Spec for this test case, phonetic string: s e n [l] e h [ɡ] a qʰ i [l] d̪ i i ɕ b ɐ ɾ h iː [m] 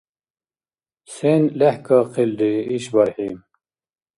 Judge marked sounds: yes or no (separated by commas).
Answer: yes, no, yes, yes